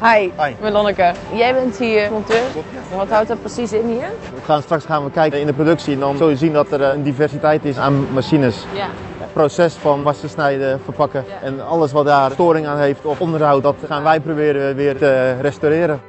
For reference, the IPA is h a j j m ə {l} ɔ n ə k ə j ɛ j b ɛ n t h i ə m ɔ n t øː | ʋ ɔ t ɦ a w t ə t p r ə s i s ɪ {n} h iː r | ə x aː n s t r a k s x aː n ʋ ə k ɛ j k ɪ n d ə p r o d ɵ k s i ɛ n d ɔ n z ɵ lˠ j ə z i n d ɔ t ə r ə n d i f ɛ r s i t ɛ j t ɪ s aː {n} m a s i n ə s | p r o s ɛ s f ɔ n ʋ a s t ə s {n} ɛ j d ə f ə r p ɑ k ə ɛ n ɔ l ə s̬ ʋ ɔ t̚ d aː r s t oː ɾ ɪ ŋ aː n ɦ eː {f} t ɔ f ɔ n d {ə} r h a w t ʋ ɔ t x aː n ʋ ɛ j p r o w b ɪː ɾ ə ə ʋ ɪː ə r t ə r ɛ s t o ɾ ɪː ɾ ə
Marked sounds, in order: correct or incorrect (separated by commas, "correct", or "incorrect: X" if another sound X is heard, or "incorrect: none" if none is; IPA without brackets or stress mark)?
correct, correct, correct, correct, correct, correct